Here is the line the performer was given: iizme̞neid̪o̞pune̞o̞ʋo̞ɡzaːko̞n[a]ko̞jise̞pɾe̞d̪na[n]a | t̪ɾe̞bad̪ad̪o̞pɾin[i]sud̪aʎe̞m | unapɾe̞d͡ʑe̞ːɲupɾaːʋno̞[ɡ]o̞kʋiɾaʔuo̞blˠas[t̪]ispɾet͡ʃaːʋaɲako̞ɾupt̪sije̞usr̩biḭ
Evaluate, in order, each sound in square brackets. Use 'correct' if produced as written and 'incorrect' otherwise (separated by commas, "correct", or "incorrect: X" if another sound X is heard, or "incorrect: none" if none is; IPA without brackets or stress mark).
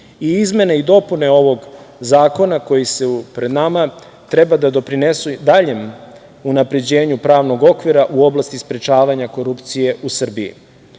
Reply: correct, incorrect: m, incorrect: e, correct, correct